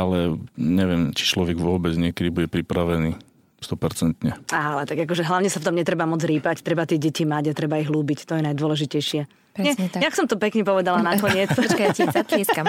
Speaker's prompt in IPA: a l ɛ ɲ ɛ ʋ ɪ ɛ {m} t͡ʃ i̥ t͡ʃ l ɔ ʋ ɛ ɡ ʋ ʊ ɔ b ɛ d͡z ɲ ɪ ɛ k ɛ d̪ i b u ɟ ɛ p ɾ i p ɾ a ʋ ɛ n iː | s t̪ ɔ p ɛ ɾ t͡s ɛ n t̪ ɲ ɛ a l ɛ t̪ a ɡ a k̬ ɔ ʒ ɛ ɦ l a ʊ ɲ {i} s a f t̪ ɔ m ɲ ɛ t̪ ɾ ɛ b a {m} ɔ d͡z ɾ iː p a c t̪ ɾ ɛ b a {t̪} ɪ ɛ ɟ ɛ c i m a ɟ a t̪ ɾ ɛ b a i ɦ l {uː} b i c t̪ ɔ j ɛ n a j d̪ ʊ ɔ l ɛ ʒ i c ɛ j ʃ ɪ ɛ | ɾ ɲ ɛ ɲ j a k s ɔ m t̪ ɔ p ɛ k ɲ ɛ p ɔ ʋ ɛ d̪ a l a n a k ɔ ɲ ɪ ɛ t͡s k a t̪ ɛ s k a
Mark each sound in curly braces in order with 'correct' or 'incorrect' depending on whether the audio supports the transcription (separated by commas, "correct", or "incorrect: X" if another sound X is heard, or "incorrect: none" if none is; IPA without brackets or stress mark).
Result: correct, incorrect: ɛ, correct, correct, correct